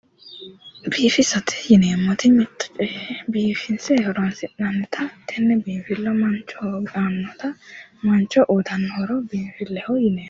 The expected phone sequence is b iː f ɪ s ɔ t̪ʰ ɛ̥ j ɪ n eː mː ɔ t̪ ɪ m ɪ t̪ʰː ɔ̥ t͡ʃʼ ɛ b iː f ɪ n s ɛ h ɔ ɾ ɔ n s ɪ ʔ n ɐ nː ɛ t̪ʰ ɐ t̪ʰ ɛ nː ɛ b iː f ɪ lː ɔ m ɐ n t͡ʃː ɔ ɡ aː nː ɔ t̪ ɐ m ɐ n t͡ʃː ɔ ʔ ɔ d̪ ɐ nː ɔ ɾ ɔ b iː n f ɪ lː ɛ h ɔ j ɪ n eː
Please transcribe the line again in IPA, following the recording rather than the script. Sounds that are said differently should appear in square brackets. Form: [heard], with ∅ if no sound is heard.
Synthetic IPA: b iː f ɪ s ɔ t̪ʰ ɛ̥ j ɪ n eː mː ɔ t̪ ɪ m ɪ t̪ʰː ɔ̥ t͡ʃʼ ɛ b iː f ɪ n s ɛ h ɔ ɾ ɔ n s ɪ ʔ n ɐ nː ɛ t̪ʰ ɐ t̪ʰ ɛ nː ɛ b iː f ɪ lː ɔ m ɐ n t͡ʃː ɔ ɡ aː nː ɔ t̪ ɐ m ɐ n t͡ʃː ɔ ʔ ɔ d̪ ɐ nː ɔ ɾ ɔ b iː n f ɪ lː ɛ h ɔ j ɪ n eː